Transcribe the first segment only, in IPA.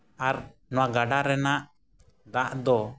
a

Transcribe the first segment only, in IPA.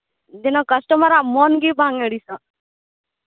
d̪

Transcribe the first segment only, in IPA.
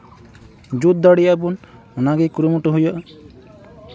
d͡ʒ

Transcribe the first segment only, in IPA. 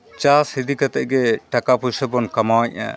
t͡ʃ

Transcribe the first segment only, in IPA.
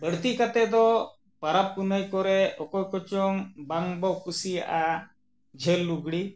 b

